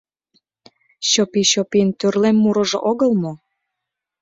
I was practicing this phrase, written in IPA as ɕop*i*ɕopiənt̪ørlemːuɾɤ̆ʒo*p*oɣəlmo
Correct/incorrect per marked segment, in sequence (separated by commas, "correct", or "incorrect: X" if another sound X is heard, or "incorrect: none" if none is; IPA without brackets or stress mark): correct, incorrect: ʔ